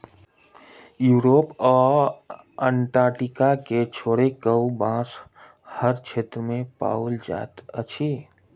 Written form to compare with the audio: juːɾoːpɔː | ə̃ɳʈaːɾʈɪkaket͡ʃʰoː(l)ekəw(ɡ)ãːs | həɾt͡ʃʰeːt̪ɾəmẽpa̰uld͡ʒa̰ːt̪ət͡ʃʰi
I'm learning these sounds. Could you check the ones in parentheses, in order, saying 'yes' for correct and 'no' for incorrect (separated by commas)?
no, no